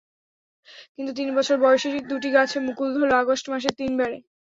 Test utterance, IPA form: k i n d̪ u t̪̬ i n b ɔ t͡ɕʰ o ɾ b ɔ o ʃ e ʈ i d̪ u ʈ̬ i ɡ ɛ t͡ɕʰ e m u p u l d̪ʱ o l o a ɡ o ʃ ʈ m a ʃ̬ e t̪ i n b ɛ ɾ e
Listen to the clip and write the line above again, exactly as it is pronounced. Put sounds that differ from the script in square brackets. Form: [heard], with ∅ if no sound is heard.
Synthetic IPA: k i n [t̪] u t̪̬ i n b ɔ t͡ɕʰ o ɾ b ɔ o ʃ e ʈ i d̪ u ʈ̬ i ɡ [a] t͡ɕʰ e m u [k] u l d̪ʱ o l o a ɡ o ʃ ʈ m a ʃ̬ e t̪ i n b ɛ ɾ e

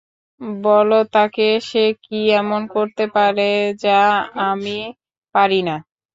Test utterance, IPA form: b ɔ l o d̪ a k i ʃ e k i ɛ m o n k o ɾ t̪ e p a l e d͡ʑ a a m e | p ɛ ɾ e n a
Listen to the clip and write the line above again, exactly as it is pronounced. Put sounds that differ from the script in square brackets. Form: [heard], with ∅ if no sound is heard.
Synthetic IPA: b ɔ l o [t̪] a k [e] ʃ e k i ɛ m o n k o ɾ t̪ e p a [ɾ] e d͡ʑ a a m [i] | p [a] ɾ [i] n a

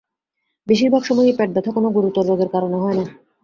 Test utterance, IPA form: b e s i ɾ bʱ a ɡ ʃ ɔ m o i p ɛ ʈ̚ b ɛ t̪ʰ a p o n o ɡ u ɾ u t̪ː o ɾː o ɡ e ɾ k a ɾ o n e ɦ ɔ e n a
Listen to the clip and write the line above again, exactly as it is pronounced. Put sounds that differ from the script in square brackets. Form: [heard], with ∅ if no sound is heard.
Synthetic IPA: b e [ʃ] i ɾ bʱ a ɡ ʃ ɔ m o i p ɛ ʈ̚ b ɛ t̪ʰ a [k] o n o ɡ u ɾ u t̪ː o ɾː o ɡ e ɾ k a ɾ o n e ɦ ɔ e n a

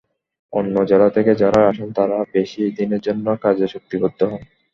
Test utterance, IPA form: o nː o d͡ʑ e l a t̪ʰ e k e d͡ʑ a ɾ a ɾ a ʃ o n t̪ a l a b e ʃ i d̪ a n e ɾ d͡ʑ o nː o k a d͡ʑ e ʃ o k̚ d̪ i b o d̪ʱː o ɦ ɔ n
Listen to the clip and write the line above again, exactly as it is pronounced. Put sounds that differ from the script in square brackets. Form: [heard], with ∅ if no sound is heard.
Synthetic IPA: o nː o d͡ʑ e l a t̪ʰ e k e d͡ʑ a ɾ a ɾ a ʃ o n t̪ a [ɾ] a b e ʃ i d̪ [i] n e ɾ d͡ʑ o nː o k a d͡ʑ e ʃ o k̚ [t̪] i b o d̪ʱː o ɦ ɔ n

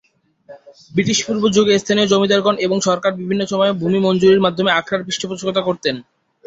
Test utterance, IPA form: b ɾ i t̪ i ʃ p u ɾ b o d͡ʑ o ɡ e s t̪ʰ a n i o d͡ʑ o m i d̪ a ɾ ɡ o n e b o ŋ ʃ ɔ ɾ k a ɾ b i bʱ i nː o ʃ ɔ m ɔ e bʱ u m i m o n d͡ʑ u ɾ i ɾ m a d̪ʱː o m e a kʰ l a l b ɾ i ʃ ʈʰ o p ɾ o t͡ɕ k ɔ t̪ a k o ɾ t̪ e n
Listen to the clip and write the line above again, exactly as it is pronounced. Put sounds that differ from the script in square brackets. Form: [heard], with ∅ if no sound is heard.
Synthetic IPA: b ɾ i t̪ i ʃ p u ɾ b o d͡ʑ o ɡ e s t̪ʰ a n i o d͡ʑ o m i d̪ a ɾ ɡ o n e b o ŋ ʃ ɔ ɾ k a ɾ b i bʱ i nː o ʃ ɔ m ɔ e bʱ u m i m o n d͡ʑ u ɾ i ɾ m a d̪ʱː o m e a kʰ [ɾ] a [ɾ] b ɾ i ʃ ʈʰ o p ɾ o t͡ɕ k [o] t̪ a k o ɾ t̪ e n

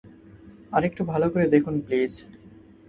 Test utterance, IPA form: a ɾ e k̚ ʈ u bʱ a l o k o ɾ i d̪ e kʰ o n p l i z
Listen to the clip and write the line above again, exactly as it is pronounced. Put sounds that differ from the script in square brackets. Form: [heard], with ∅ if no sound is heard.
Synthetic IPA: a ɾ e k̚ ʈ u bʱ a l o k o ɾ [e] d̪ e kʰ [u] n p l i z

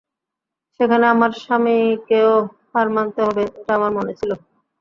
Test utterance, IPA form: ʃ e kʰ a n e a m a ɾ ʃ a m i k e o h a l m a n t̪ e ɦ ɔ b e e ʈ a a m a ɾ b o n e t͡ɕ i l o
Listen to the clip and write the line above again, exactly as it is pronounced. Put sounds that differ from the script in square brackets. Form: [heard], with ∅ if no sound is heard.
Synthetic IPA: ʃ e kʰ a n e a m a ɾ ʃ a m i k e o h a [ɾ] m a n t̪ e ɦ ɔ b e e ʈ a a m a ɾ [m] o n e [t͡ɕʰ] i l o

